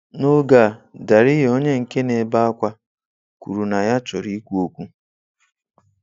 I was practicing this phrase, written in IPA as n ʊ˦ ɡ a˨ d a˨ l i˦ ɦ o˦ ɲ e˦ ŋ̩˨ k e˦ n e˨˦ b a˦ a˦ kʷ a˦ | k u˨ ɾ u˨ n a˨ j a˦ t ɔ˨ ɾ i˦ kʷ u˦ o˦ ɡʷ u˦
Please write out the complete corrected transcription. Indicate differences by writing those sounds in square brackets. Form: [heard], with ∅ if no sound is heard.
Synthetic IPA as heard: n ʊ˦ ɡ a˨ d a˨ [ɾ] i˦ ɦ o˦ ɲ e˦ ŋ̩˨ k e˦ n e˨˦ b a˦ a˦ kʷ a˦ | k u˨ ɾ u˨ n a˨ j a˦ [t͡ʃ] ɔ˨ ɾ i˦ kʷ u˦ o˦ [kʷ] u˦